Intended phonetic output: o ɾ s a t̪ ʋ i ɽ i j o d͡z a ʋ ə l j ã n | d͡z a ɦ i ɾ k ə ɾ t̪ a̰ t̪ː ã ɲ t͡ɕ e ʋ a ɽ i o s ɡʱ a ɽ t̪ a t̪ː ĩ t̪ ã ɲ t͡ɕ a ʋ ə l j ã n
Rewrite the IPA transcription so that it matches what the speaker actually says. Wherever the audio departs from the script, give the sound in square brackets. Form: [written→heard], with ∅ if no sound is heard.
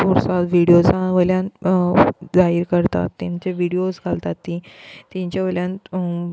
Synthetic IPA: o ɾ s a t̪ ʋ i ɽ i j o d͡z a ʋ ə l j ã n | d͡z a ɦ i ɾ k ə ɾ t̪ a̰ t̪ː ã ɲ t͡ɕ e ʋ [a→i] ɽ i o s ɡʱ a [ɽ→l] t̪ a t̪ː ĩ t̪ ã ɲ t͡ɕ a ʋ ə l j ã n